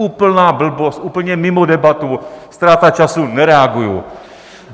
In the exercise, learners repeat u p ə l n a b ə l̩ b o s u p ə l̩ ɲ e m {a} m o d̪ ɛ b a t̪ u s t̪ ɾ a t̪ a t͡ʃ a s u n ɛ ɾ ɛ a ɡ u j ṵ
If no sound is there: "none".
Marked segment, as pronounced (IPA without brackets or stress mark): i